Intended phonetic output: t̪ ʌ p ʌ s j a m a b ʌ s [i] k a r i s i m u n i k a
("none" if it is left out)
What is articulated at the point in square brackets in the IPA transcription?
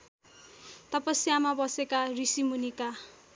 e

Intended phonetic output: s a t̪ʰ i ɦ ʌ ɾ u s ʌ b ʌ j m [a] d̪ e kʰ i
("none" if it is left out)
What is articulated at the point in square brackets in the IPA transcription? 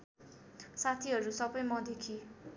ʌ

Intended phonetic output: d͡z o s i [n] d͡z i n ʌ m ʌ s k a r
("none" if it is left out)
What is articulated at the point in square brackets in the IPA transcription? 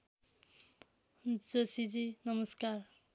none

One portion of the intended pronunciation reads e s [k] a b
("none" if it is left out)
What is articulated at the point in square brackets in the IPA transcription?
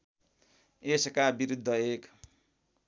k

